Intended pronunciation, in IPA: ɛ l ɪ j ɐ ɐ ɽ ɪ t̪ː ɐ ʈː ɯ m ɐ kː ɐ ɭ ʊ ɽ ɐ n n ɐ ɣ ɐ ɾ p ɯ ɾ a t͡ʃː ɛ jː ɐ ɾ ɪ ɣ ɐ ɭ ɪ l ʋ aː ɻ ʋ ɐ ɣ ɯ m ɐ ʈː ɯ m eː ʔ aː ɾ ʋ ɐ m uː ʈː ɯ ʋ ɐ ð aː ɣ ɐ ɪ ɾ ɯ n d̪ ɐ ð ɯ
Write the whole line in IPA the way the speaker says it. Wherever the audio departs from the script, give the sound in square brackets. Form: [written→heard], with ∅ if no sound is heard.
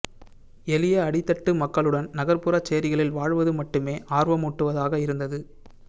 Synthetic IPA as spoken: ɛ l ɪ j ɐ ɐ ɽ ɪ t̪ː ɐ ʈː ɯ m ɐ kː ɐ ɭ [ʊ→ɯ] ɽ ɐ n n ɐ ɣ ɐ ɾ p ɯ ɾ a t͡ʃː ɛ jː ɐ ɾ ɪ ɣ ɐ ɭ ɪ l ʋ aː ɻ ʋ ɐ [ɣ→ð] ɯ m ɐ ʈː ɯ m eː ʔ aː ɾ ʋ ɐ m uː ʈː ɯ ʋ ɐ ð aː ɣ ɐ ɪ ɾ ɯ n d̪ ɐ ð ɯ